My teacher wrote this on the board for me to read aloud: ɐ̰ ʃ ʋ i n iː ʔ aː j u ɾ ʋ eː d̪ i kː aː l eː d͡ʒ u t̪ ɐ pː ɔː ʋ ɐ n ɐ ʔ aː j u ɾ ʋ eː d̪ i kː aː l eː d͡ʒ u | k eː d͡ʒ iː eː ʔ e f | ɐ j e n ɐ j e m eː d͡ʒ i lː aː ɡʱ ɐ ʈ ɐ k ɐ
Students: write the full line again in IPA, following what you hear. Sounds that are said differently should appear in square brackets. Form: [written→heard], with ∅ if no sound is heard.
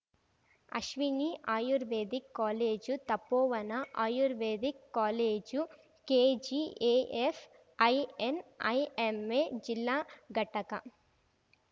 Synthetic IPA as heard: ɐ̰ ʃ ʋ i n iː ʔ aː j u ɾ ʋ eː d̪ i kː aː l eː d͡ʒ u t̪ ɐ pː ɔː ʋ ɐ n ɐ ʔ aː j u ɾ ʋ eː d̪ i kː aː l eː d͡ʒ u | k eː d͡ʒ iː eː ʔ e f | ɐ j e n ɐ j e m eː d͡ʒ i lː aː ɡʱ ɐ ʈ ɐ k ɐ

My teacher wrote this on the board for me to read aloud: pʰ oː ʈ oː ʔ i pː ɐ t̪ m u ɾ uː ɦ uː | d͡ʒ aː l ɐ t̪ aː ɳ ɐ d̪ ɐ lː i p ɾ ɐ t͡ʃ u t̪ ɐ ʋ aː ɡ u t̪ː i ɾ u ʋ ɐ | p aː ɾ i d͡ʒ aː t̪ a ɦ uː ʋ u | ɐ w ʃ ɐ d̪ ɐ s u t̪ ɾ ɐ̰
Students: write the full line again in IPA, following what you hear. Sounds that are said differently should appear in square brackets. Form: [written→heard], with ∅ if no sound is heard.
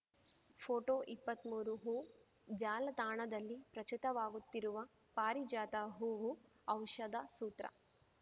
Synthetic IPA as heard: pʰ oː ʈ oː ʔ i pː ɐ t̪ m [u→uː] ɾ [uː→u] ɦ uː | d͡ʒ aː l ɐ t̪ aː ɳ ɐ d̪ ɐ lː i p ɾ ɐ t͡ʃ u t̪ ɐ ʋ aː ɡ u t̪ː i ɾ u ʋ ɐ | p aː ɾ i d͡ʒ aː t̪ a ɦ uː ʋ u | ɐ w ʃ ɐ d̪ ɐ s [u→uː] t̪ ɾ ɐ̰

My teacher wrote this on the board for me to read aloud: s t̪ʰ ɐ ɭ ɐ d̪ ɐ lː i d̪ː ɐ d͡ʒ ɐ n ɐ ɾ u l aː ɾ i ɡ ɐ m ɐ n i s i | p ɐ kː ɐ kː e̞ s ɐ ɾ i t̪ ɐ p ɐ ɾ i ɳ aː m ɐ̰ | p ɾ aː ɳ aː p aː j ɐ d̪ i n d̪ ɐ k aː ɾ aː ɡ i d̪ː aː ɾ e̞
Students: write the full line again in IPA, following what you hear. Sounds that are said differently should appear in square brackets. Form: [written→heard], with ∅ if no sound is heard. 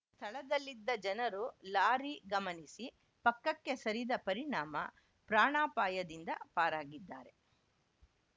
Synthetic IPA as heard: s t̪ʰ ɐ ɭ ɐ d̪ ɐ lː i d̪ː ɐ d͡ʒ ɐ n ɐ ɾ u l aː ɾ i ɡ ɐ m ɐ n i s i | p ɐ kː ɐ kː e̞ s ɐ ɾ i [t̪→d̪] ɐ p ɐ ɾ i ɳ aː m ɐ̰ | p ɾ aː ɳ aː p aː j ɐ d̪ i n d̪ ɐ [k→p] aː ɾ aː ɡ i d̪ː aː ɾ e̞

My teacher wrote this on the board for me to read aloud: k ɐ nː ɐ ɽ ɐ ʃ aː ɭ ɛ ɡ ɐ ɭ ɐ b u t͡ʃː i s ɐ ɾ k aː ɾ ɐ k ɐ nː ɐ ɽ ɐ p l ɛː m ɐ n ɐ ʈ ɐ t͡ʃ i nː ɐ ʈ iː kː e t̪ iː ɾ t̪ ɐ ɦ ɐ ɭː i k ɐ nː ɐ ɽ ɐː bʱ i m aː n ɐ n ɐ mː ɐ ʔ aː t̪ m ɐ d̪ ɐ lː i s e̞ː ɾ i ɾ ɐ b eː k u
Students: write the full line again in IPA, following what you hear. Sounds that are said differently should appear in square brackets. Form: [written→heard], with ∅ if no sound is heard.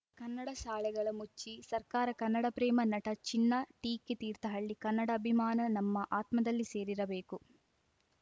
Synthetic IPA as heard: k ɐ nː ɐ ɽ ɐ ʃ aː ɭ ɛ ɡ ɐ ɭ ɐ [b→m] u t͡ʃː i s ɐ ɾ k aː ɾ ɐ k ɐ nː ɐ ɽ ɐ p [l→ɾ] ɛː m ɐ n ɐ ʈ ɐ t͡ʃ i nː ɐ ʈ iː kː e t̪ iː ɾ t̪ ɐ ɦ ɐ ɭː i k ɐ nː ɐ ɽ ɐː bʱ i m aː n ɐ n ɐ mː ɐ ʔ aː t̪ m ɐ d̪ ɐ lː i s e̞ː ɾ i ɾ ɐ b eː k u

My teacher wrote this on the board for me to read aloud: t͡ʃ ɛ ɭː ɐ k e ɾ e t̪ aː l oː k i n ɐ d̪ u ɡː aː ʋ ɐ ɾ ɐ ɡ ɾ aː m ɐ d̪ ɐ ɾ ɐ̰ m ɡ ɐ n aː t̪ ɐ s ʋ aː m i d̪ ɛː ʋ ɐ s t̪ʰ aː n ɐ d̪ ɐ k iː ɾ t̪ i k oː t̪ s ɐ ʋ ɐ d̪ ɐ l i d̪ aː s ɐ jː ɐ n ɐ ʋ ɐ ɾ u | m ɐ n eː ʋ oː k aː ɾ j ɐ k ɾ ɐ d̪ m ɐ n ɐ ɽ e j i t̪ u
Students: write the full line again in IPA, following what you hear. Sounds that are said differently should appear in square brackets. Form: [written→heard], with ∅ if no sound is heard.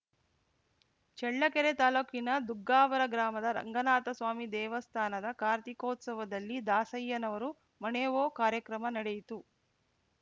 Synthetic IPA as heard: t͡ʃ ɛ ɭː ɐ k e ɾ e t̪ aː l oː k i n ɐ d̪ u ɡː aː ʋ ɐ ɾ ɐ ɡ ɾ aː m ɐ d̪ ɐ ɾ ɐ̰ [m→ŋ] ɡ ɐ n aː t̪ ɐ s ʋ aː m i d̪ ɛː ʋ ɐ s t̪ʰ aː n ɐ d̪ ɐ k [iː→aː] ɾ t̪ i k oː t̪ s ɐ ʋ ɐ d̪ ɐ [l→lː] i d̪ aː s ɐ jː ɐ n ɐ ʋ ɐ ɾ u | m ɐ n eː ʋ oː k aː ɾ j ɐ k ɾ ɐ [d̪→∅] m ɐ n ɐ ɽ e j i t̪ u

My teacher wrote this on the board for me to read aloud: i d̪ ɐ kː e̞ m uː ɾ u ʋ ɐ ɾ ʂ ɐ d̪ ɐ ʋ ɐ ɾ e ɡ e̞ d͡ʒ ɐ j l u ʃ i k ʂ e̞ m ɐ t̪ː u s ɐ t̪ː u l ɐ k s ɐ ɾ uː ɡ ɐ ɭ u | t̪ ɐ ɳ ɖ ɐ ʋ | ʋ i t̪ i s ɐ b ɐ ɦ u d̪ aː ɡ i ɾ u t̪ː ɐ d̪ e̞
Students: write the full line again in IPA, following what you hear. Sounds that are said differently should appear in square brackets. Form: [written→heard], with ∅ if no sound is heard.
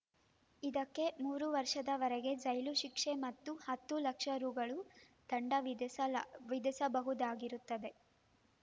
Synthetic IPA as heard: i d̪ ɐ kː e̞ m uː ɾ u ʋ ɐ ɾ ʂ ɐ d̪ ɐ ʋ ɐ ɾ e ɡ e̞ d͡ʒ ɐ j l u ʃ i k ʂ e̞ m ɐ t̪ː u [s→h] ɐ t̪ː u l ɐ k [s→ʂ] ɐ ɾ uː ɡ ɐ ɭ u | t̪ ɐ ɳ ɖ ɐ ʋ | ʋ i [t̪→d̪] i s ɐ b ɐ ɦ u d̪ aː ɡ i ɾ u t̪ː ɐ d̪ e̞

